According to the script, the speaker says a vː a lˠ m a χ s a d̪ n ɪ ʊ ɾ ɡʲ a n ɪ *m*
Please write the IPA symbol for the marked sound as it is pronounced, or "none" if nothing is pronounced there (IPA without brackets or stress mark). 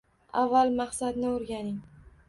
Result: ŋ